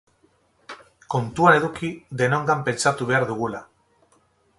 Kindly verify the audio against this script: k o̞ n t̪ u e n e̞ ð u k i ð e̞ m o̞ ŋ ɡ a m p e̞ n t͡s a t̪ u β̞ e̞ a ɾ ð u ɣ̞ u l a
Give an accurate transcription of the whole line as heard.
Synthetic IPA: k o̞ n t̪ u a n e̞ ð u k i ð e̞ n o̞ ŋ ɡ a m p e̞ n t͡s a t̪ u β̞ e̞ a ɾ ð u ɣ̞ u l a